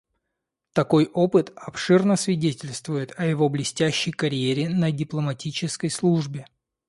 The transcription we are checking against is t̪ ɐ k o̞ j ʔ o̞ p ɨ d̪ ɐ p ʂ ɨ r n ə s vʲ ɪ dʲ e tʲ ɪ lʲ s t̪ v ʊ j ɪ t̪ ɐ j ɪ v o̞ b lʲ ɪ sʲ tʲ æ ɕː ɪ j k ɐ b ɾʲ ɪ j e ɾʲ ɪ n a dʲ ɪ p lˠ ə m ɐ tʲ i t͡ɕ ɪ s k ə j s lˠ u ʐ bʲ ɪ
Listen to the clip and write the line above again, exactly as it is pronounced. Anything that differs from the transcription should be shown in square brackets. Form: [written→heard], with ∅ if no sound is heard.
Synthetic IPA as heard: t̪ ɐ k o̞ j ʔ o̞ p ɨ [d̪→t̪] ɐ p ʂ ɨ r n ə s vʲ ɪ dʲ e tʲ ɪ lʲ s t̪ v ʊ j ɪ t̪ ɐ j ɪ v o̞ b lʲ ɪ sʲ tʲ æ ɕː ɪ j k ɐ [b→∅] ɾʲ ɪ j e ɾʲ ɪ n [a→ə] dʲ ɪ p lˠ ə m ɐ tʲ i t͡ɕ ɪ s k ə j s lˠ u ʐ bʲ ɪ

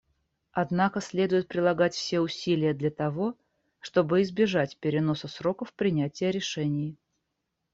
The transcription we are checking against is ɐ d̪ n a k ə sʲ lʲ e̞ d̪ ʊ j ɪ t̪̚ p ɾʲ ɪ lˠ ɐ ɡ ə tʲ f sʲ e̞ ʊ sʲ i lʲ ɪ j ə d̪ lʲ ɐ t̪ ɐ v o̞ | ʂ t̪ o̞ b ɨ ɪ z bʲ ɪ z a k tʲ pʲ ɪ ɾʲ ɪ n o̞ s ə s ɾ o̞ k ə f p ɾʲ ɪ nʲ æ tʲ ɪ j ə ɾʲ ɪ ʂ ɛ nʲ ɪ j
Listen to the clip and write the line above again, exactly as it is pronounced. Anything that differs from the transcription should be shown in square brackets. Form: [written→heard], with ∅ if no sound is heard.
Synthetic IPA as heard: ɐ d̪ n a k ə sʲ lʲ e̞ d̪ ʊ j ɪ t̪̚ p ɾʲ ɪ lˠ ɐ ɡ [ə→a] tʲ f sʲ e̞ ʊ sʲ i lʲ ɪ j ə d̪ lʲ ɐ t̪ ɐ v o̞ | ʂ t̪ o̞ b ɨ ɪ z bʲ ɪ [z→ʐ] a [k→∅] tʲ pʲ ɪ ɾʲ ɪ n o̞ s ə s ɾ o̞ k ə f p ɾʲ ɪ nʲ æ tʲ ɪ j ə ɾʲ ɪ ʂ ɛ nʲ ɪ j

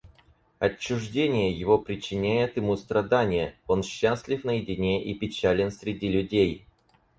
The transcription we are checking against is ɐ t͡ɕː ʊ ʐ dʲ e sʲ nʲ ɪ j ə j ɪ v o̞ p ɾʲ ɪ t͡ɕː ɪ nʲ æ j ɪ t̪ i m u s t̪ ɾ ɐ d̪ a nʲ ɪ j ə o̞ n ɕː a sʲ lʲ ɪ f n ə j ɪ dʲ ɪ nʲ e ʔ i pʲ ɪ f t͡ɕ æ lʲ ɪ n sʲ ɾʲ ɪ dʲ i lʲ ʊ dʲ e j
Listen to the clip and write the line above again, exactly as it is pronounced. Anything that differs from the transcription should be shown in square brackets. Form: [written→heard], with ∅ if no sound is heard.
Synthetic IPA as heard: ɐ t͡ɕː ʊ ʐ dʲ e [sʲ→∅] nʲ ɪ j ə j ɪ v o̞ p ɾʲ ɪ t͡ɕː ɪ nʲ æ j ɪ t̪ [i→ɪ] m u s t̪ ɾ ɐ d̪ a nʲ ɪ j ə o̞ n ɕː a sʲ lʲ ɪ f n ə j ɪ dʲ ɪ nʲ e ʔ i pʲ ɪ [f→∅] t͡ɕ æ lʲ ɪ n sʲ ɾʲ ɪ dʲ i lʲ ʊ dʲ e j

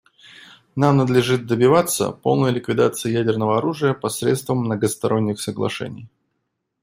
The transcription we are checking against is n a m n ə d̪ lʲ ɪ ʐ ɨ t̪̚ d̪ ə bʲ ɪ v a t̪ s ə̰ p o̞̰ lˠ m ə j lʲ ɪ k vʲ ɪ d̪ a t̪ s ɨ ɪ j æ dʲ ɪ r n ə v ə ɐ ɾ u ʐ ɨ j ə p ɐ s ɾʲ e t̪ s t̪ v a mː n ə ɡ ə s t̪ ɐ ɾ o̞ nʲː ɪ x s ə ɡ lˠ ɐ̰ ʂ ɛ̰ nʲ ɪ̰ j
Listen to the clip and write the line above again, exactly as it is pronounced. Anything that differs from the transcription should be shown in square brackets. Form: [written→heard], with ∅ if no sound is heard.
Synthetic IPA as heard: n a m n ə d̪ lʲ ɪ ʐ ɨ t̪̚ d̪ ə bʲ ɪ v a t̪ s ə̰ p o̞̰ lˠ [m→n] ə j lʲ ɪ k vʲ ɪ d̪ a t̪ s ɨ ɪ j æ dʲ ɪ r n ə v ə ɐ ɾ u ʐ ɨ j ə p ɐ s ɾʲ e t̪ s t̪ v [a→ə] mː n ə ɡ ə s t̪ ɐ ɾ o̞ nʲː ɪ x s ə ɡ lˠ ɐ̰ ʂ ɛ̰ nʲ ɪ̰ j

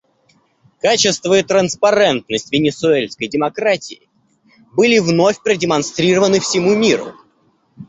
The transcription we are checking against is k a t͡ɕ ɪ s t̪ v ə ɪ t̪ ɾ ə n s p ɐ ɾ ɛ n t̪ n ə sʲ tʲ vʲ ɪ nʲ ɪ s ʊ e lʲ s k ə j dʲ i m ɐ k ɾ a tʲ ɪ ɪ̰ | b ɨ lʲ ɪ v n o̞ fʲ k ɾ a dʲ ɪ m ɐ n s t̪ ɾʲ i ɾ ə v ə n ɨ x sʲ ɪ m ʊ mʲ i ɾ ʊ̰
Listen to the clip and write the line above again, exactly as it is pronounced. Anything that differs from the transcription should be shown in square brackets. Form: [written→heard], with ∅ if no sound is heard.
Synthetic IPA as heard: k a t͡ɕ ɪ s t̪ v ə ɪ t̪ ɾ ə n s p ɐ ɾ ɛ n t̪ n ə sʲ tʲ vʲ ɪ nʲ ɪ s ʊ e lʲ s k ə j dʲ [i→ɪ] m ɐ k ɾ a tʲ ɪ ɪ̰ | b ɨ lʲ ɪ v n o̞ fʲ [k→p] ɾ [a→ə] dʲ ɪ m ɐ n s t̪ ɾʲ i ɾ ə v ə n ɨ [x→f] sʲ ɪ m [ʊ→u] mʲ i ɾ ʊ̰

